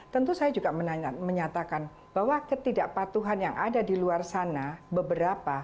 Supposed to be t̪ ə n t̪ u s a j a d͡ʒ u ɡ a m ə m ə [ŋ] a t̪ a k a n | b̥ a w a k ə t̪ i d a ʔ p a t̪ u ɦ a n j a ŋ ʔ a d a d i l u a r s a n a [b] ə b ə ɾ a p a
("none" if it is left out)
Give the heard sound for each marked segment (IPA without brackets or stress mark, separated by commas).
ɲ, b